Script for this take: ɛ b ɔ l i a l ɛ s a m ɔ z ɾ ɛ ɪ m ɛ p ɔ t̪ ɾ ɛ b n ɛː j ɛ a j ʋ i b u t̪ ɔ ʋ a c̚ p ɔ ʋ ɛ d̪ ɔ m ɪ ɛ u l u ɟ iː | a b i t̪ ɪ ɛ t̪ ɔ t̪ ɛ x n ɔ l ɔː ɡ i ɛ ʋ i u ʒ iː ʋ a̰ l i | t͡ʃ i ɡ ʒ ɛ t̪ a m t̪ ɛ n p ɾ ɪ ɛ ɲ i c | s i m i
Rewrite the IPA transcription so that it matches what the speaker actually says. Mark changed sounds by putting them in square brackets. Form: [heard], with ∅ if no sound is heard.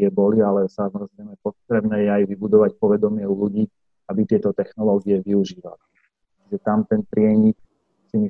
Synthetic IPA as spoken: ɛ b ɔ l i a l ɛ s a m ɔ z ɾ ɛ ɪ m ɛ p ɔ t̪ ɾ ɛ b n ɛː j ɛ a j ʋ i b u [d̪] ɔ ʋ a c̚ p ɔ ʋ ɛ d̪ ɔ m ɪ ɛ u l u ɟ iː | a b i t̪ ɪ ɛ t̪ ɔ t̪ ɛ x n ɔ l ɔː ɡ i ɛ ʋ i u ʒ iː ʋ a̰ l i | t͡ʃ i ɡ ʒ ɛ t̪ a m t̪ ɛ n p ɾ ɪ ɛ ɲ i [k] | s i m i